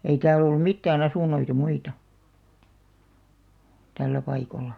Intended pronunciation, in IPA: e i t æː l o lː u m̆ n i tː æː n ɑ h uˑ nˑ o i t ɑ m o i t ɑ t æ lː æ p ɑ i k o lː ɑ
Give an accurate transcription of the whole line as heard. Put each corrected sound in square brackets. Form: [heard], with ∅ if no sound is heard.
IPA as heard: e i t æː l o lː u m̆ [m] i tː æː n ɑ [s] uˑ nˑ o i t ɑ m [u] i t ɑ t æ lː æ p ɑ i k o lː ɑ

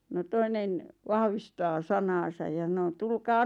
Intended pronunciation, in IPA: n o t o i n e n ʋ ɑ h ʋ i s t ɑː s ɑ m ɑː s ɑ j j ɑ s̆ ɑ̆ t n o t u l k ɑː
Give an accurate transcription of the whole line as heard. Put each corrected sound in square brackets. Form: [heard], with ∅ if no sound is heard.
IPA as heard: n o t o i n e n ʋ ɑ h ʋ i s t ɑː s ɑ [n] ɑː s ɑ j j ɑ s̆ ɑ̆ [∅] n o t u l k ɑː

